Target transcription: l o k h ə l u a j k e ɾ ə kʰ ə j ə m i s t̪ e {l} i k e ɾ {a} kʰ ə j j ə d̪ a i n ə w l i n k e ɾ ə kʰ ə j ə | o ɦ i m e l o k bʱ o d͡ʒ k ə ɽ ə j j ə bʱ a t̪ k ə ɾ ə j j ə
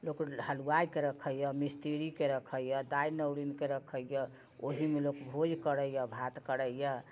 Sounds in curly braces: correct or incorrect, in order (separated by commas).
incorrect, incorrect